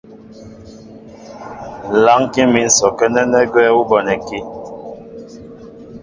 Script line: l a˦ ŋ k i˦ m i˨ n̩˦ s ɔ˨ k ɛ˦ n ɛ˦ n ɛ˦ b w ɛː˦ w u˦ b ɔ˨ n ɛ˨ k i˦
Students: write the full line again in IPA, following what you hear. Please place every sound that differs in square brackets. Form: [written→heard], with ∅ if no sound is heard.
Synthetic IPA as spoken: l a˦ ŋ k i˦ m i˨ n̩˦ s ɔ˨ k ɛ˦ n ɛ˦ n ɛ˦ [b→ɡ] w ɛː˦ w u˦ b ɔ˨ n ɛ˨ k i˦